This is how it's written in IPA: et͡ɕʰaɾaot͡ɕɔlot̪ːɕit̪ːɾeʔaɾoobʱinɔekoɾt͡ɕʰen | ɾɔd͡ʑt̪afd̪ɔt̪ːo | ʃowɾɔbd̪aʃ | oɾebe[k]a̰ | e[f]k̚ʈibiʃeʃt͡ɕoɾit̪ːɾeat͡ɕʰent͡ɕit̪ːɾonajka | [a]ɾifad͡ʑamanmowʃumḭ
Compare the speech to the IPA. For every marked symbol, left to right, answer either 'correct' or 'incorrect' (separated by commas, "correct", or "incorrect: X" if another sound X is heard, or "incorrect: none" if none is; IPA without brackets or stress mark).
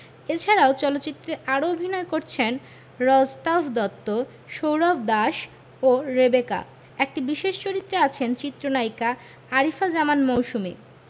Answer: correct, incorrect: none, correct